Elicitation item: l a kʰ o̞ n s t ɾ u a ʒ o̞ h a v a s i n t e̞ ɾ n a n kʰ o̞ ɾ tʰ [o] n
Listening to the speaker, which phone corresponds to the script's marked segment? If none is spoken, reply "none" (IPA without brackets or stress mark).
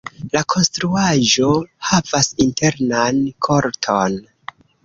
o